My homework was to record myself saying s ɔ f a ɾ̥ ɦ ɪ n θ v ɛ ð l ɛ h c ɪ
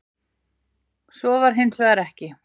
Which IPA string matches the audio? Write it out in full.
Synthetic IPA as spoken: s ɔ v a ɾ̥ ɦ ɪ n s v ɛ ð ɾ ɛ h c ɪ